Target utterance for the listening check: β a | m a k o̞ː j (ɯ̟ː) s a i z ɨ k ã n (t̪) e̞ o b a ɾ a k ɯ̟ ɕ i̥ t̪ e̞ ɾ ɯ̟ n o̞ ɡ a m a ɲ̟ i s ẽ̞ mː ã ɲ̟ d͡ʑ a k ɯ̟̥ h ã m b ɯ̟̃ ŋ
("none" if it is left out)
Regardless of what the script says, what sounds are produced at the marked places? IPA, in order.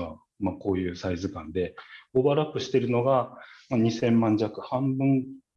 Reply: ɯ̟ː, d̪

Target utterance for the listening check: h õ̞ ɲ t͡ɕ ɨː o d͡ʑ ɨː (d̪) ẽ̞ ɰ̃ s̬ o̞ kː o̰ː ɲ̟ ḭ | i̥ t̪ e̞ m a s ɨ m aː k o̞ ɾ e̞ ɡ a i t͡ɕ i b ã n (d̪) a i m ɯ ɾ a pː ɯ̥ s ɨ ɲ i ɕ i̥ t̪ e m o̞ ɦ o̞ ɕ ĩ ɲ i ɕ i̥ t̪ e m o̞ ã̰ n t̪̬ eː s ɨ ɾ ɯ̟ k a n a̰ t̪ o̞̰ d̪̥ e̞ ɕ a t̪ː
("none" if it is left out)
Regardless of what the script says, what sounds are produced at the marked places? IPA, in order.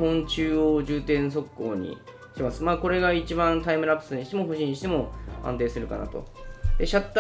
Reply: t̪, t̪

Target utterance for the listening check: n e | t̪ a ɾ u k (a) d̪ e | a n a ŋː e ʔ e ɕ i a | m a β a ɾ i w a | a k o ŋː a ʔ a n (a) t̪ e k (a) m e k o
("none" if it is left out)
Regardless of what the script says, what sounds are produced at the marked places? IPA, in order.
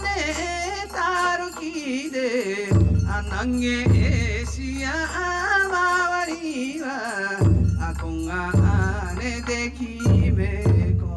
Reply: i, e, i

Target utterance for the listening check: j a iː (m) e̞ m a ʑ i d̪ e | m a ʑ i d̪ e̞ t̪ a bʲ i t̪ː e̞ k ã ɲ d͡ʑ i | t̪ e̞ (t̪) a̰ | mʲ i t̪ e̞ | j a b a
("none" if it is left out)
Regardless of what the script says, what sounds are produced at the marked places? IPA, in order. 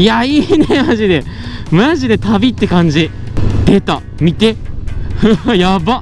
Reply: n, t̪

